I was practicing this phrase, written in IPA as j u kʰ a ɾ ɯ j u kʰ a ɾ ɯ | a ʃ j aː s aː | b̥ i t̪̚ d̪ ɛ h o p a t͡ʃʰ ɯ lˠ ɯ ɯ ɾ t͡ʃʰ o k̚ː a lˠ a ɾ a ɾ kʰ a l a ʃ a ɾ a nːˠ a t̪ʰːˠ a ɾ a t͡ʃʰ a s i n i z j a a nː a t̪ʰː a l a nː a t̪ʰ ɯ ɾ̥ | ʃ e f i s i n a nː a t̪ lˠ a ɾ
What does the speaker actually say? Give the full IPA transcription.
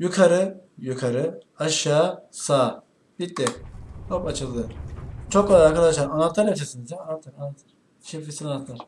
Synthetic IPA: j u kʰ a ɾ ɯ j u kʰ a ɾ ɯ | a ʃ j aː s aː | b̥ i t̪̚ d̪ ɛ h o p a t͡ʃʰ ɯ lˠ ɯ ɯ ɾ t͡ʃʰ o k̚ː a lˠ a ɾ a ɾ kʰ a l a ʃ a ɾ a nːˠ a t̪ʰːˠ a ɾ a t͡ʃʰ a s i n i z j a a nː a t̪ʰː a ɾ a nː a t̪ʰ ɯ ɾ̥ | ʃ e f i s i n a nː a t̪ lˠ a ɾ